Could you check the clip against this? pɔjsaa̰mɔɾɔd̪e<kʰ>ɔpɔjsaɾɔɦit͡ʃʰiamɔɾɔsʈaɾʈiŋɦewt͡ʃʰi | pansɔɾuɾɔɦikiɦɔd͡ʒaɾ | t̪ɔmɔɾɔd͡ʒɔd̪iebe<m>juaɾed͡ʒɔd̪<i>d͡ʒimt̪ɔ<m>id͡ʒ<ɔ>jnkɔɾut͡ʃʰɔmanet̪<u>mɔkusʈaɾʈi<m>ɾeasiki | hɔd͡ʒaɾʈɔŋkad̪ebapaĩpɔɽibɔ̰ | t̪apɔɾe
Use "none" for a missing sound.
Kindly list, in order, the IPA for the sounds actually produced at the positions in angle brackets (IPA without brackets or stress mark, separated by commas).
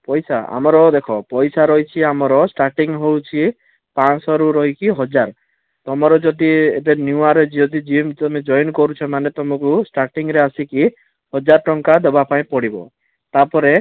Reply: kʰ, n, i, m, ɔ, ɔ, ŋ